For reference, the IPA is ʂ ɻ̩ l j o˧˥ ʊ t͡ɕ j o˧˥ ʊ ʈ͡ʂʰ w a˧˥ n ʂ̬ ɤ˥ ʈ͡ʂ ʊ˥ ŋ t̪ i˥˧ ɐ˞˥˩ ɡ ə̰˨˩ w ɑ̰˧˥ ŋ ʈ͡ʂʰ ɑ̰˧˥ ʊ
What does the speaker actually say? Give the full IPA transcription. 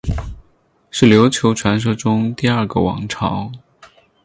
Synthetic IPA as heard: ʂ ɻ̩ l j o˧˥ ʊ t͡ɕʰ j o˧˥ ʊ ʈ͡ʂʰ w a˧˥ n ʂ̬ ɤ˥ ʈ͡ʂ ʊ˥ ŋ t̪ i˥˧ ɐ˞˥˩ ɡ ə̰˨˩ w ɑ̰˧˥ ŋ ʈ͡ʂʰ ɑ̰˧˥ ʊ